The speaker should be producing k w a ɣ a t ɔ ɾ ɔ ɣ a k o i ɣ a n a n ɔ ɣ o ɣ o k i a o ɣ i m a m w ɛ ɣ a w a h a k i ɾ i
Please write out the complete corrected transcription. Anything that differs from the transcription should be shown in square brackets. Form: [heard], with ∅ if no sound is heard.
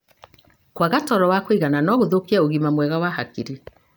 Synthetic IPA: k w a ɣ a t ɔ ɾ ɔ [w] a k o i ɣ a n a n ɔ ɣ o [ð] o k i a o ɣ i m a m w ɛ ɣ a w a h a k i ɾ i